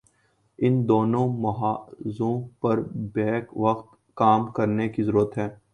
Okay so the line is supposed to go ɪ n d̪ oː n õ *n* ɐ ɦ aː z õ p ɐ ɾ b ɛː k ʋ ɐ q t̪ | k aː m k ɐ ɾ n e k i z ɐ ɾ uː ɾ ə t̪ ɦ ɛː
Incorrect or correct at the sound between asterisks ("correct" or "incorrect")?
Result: incorrect